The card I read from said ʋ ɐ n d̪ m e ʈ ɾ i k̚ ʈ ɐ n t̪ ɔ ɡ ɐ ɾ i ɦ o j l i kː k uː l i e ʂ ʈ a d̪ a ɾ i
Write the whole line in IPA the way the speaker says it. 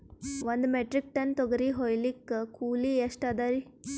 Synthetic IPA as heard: ʋ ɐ n d̪ m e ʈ ɾ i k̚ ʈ ɐ n t̪ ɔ ɡ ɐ ɾ i ɦ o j l i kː k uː l i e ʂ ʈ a d̪ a ɾ i